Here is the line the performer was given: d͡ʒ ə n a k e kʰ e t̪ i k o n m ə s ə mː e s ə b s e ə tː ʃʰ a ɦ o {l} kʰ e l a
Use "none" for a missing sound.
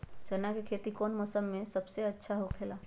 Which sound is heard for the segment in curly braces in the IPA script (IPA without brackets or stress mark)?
none